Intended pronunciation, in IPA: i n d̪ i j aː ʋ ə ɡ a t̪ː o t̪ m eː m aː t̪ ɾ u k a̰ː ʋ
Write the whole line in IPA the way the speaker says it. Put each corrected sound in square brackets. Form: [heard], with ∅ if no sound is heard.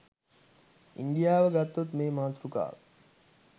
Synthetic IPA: i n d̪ i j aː ʋ ə ɡ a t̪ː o t̪ m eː m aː t̪ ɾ u k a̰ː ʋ